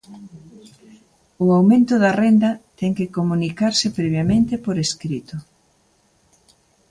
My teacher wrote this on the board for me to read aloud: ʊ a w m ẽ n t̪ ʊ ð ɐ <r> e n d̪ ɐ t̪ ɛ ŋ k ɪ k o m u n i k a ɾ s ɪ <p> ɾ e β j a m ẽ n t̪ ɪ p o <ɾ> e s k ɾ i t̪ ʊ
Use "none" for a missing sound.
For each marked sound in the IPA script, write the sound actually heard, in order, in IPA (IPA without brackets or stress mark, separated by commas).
r, p, ɾ